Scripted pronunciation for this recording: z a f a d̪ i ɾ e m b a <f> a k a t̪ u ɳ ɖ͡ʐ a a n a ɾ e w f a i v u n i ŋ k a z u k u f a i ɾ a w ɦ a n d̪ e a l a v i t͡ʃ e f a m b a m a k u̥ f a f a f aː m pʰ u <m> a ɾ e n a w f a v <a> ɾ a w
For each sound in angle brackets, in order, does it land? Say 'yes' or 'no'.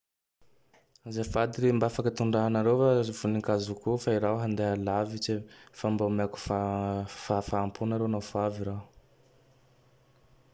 yes, no, no

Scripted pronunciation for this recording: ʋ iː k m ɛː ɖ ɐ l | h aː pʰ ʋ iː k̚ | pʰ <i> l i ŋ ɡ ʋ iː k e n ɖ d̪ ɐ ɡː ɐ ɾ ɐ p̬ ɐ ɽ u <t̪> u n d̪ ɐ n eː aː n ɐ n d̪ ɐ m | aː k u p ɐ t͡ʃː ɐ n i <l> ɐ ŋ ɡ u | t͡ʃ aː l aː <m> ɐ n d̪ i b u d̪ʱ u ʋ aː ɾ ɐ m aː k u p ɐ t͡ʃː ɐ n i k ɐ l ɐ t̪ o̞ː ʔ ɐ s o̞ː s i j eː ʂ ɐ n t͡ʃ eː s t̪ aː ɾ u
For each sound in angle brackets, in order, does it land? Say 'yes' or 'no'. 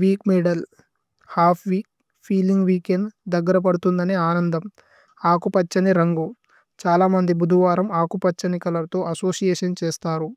no, yes, no, yes

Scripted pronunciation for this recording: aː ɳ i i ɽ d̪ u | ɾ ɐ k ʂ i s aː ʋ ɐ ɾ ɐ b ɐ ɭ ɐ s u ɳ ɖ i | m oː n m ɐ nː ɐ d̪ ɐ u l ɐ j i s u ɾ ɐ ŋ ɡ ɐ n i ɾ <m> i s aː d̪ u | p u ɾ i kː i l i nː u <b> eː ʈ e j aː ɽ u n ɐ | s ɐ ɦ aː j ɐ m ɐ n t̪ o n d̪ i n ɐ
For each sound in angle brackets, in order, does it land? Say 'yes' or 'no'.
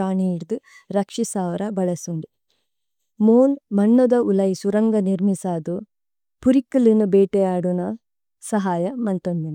yes, yes

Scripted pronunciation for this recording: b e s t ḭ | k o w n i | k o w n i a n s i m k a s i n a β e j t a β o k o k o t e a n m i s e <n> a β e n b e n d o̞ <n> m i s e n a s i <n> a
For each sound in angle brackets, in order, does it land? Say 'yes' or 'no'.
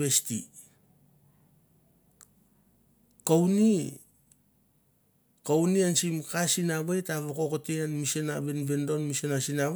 yes, yes, yes

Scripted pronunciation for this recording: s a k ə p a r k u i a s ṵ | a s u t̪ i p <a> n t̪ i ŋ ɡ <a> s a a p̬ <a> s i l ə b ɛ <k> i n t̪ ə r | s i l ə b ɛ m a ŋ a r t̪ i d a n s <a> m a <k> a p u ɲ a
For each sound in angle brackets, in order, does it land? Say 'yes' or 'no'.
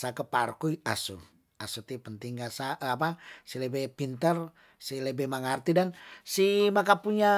no, yes, yes, no, no, yes

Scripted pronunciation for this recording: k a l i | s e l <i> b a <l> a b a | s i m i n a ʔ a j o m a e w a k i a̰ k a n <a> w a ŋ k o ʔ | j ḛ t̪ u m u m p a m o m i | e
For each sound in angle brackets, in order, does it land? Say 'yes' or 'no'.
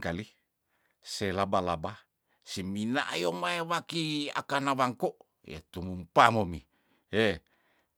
no, yes, yes

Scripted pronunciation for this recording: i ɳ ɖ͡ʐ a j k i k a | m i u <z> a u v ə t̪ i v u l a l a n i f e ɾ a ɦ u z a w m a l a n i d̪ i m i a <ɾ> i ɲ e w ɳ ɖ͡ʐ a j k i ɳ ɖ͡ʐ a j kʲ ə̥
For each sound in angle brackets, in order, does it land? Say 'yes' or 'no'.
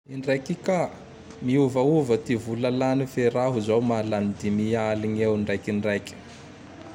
no, no

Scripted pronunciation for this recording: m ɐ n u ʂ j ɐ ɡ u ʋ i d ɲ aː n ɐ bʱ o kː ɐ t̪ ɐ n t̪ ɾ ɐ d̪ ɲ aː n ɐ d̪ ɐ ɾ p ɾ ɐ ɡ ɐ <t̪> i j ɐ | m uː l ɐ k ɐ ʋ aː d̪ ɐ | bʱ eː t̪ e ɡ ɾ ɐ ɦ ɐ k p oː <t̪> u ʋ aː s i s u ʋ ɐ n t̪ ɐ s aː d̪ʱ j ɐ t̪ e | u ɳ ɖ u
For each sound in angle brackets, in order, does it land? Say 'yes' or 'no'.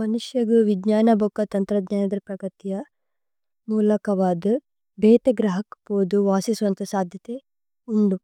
yes, no

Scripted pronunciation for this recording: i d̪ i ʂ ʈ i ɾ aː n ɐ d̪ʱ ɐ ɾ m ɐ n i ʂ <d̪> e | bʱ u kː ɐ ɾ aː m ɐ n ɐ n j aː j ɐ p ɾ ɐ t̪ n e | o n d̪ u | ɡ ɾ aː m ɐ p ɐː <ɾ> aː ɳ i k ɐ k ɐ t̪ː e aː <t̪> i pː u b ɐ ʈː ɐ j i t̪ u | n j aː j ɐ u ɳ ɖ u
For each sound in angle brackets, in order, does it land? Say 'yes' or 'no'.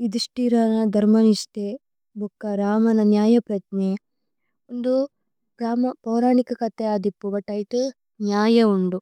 no, yes, no

